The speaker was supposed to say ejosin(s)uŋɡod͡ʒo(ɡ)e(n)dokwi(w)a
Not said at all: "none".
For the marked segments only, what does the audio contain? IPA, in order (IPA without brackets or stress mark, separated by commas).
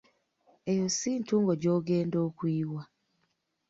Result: t, ɡ, n, w